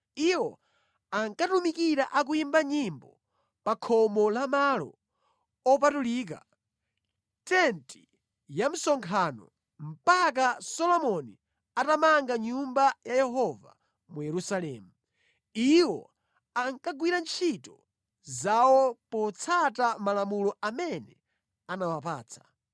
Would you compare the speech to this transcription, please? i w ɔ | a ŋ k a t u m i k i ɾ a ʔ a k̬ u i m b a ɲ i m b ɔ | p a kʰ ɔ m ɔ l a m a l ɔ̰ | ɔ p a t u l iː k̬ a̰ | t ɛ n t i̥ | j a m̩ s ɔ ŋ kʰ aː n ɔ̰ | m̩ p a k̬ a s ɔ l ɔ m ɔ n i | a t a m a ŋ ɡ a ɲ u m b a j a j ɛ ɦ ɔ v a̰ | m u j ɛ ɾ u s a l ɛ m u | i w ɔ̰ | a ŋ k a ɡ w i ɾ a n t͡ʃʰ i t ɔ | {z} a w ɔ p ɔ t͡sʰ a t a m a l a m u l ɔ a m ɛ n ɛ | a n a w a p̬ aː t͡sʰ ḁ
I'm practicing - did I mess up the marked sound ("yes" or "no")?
no